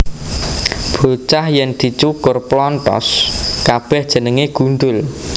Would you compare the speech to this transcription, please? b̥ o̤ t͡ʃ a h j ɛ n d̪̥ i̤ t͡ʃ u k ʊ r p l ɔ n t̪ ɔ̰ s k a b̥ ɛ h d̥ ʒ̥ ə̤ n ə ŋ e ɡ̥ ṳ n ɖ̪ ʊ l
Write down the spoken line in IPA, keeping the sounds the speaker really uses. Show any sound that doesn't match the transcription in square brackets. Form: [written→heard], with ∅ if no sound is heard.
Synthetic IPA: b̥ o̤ t͡ʃ a h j ɛ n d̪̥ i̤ t͡ʃ u k ʊ r p l ɔ n t̪ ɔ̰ s k a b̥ ɛ h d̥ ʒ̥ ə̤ n ə ŋ e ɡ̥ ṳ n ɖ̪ ʊ l